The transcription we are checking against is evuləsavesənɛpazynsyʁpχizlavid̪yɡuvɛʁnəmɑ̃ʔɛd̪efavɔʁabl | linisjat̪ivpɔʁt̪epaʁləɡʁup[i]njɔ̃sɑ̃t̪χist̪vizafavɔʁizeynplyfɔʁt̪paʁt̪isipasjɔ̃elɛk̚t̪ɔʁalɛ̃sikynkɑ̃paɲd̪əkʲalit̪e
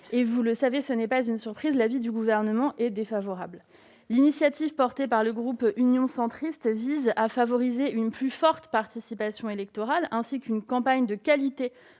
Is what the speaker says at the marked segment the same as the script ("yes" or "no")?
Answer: no